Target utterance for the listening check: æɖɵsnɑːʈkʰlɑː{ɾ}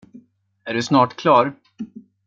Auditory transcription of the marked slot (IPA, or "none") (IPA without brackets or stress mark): ɾ